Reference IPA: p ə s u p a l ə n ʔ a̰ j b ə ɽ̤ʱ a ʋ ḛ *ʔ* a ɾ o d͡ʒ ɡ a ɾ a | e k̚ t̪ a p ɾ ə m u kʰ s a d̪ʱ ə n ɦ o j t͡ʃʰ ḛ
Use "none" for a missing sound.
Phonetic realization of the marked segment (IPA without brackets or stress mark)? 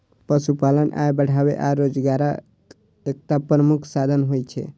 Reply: ʔ